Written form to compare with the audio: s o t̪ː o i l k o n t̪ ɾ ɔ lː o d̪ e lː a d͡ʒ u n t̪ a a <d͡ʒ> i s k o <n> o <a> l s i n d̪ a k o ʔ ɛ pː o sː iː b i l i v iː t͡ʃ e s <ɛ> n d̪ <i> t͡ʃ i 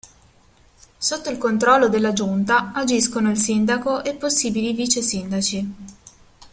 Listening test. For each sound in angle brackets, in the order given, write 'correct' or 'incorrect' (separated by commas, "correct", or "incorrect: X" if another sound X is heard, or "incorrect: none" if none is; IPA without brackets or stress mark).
correct, correct, incorrect: i, incorrect: i, incorrect: a